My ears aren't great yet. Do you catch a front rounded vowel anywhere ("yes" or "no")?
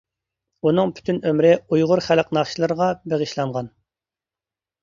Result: yes